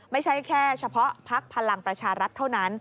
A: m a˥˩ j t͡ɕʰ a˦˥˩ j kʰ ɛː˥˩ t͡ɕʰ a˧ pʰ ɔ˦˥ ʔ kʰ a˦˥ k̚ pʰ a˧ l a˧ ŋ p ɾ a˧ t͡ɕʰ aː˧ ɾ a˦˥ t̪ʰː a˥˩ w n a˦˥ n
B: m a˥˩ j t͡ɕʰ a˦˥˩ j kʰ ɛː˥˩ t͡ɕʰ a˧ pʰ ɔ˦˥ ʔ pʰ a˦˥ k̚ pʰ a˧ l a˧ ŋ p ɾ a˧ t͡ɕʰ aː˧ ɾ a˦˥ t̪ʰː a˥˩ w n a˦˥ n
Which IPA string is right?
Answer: B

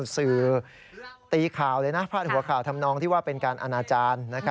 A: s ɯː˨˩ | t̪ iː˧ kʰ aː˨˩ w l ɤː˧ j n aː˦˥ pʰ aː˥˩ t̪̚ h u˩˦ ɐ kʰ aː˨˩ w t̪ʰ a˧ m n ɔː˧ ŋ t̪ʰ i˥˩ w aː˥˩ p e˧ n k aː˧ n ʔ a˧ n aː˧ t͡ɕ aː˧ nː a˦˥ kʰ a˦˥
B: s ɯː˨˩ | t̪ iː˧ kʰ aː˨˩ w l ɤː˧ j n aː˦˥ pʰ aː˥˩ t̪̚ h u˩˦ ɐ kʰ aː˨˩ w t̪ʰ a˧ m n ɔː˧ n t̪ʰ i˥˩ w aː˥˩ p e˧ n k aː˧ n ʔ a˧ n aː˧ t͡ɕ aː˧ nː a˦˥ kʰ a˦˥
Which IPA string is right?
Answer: A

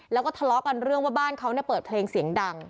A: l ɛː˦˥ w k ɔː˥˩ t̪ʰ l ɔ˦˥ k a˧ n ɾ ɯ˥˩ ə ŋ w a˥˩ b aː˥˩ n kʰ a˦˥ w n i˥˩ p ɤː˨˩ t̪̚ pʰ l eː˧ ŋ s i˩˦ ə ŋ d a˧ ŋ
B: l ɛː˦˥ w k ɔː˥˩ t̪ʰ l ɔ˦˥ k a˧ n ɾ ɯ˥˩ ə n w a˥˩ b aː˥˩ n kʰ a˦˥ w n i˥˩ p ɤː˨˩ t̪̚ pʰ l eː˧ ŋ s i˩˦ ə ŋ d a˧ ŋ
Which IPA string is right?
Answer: A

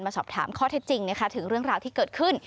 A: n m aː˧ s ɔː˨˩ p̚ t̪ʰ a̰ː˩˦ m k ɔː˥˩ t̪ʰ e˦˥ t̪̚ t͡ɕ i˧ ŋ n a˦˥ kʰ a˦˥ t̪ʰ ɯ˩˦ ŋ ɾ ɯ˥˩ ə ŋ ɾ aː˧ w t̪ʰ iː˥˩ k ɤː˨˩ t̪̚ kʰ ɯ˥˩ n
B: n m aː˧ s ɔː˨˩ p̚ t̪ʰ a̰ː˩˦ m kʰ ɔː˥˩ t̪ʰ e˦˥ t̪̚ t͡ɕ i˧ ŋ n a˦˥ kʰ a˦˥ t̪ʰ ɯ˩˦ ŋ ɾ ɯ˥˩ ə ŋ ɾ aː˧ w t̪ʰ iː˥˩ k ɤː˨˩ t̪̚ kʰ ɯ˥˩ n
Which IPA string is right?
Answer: B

